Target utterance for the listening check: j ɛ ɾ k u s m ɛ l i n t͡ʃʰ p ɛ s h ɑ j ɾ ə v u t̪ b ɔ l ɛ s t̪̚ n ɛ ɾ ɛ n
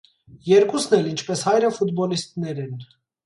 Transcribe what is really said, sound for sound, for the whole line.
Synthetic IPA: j ɛ ɾ k u s n ɛ l i n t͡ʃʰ p ɛ s h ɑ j ɾ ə f u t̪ b ɔ l i s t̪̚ n ɛ ɾ ɛ n